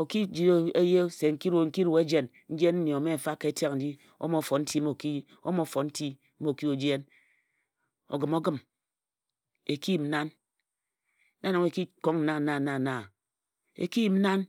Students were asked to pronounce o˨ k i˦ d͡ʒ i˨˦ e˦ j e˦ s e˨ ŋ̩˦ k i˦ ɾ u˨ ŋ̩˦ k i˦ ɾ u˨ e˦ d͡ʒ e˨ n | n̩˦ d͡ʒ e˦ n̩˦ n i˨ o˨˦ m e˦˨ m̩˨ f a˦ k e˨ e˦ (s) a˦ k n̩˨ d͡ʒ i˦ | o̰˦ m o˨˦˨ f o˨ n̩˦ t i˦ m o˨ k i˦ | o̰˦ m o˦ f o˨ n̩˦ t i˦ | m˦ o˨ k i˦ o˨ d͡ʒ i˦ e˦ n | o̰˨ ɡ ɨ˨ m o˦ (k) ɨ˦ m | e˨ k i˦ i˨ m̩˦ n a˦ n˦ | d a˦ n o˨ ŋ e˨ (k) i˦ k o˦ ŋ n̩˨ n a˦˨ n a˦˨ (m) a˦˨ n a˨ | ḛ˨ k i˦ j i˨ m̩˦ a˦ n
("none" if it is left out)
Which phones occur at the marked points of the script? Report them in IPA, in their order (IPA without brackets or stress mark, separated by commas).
t, ɡ, k, n